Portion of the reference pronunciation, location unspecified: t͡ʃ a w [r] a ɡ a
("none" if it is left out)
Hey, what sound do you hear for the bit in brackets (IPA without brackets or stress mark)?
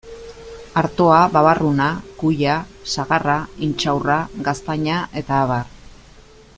r